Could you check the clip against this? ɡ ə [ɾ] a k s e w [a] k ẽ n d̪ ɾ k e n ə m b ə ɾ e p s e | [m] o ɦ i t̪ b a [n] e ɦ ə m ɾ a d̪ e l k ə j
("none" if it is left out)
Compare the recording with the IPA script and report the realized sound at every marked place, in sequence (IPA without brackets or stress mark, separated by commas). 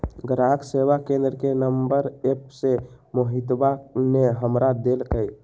ɾ, a, m, n